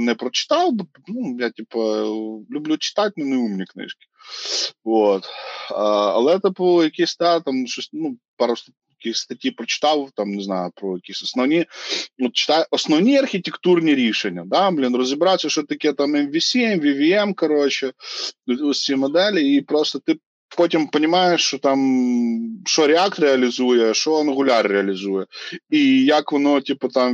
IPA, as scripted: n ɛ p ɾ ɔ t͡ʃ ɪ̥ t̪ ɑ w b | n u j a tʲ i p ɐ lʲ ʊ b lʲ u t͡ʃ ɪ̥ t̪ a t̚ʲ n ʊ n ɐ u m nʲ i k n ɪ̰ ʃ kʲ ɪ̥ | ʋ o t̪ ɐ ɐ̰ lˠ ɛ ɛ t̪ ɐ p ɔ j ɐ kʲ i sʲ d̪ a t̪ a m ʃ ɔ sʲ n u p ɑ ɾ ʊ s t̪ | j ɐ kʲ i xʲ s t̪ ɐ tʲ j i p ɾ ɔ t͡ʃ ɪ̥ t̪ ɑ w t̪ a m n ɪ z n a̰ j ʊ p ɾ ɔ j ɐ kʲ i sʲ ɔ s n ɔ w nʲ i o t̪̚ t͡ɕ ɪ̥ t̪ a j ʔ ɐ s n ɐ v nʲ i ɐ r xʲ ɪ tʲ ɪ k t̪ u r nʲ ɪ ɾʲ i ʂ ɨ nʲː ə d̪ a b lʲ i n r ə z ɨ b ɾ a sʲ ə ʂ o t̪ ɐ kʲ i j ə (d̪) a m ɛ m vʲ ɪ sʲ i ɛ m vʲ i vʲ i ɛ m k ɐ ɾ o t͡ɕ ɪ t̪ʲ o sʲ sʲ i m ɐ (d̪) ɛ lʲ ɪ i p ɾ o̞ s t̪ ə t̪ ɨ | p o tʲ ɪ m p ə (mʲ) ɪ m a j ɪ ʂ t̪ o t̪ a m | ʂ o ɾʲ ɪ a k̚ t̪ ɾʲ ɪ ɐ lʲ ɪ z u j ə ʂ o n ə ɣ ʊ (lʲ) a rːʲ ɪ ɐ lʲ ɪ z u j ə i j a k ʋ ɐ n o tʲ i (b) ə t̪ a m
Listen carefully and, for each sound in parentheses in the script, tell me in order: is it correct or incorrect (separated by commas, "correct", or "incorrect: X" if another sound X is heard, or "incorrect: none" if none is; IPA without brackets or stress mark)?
incorrect: t̪, correct, incorrect: nʲ, correct, incorrect: p